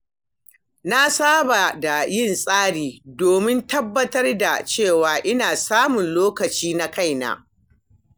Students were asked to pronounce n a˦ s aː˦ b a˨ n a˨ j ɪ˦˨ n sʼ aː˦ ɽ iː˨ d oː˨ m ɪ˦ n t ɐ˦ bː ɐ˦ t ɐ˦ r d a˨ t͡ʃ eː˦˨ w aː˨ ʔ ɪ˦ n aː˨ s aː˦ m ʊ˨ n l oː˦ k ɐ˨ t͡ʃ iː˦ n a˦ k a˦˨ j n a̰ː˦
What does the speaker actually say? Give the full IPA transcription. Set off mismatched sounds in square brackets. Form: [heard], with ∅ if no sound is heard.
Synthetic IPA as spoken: n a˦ s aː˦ b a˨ [d] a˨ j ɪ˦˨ n sʼ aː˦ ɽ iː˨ d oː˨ m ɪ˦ n t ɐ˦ bː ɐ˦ t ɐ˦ r d a˨ t͡ʃ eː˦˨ w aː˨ ʔ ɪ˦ n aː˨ s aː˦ m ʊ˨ n l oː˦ k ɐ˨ t͡ʃ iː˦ n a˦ k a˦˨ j n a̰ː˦